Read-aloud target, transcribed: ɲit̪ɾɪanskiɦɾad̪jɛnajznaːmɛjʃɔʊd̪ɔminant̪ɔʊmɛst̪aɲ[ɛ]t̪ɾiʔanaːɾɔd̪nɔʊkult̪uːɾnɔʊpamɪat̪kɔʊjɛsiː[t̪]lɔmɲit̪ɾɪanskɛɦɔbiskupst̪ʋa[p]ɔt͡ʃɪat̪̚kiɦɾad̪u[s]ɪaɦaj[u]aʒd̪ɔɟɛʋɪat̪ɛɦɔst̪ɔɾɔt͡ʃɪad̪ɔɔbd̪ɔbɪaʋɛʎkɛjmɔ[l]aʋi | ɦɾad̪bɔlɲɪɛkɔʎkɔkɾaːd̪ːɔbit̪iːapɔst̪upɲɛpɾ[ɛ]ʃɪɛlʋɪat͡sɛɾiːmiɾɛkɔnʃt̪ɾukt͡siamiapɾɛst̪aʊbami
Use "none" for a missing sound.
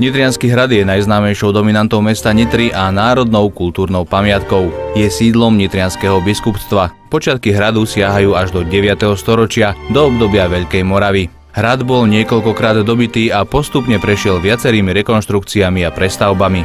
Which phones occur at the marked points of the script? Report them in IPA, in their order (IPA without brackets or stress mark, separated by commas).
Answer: i, d̪, p, s, uː, ɾ, ɛ